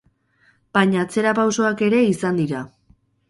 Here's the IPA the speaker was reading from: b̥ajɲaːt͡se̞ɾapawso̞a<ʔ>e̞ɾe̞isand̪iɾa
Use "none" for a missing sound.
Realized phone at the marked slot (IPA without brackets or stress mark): k